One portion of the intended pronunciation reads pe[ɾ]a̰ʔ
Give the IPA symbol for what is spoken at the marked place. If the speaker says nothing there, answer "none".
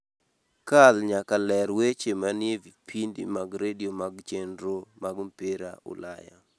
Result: ɾ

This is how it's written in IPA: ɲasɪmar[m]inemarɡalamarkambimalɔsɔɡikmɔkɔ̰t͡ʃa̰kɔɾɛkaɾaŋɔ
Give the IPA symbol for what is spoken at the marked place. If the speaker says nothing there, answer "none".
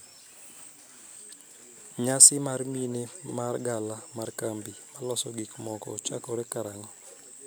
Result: m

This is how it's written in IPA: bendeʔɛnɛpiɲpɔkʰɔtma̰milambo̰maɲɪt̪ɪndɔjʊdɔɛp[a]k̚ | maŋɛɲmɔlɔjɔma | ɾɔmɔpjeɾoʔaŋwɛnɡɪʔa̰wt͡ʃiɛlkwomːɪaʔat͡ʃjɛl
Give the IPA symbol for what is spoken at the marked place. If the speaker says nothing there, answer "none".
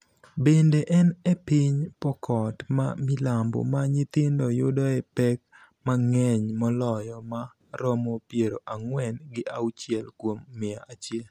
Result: ɛ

